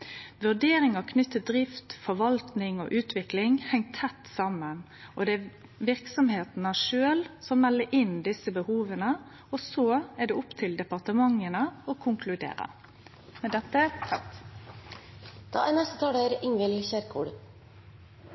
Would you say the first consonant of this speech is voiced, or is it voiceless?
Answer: voiced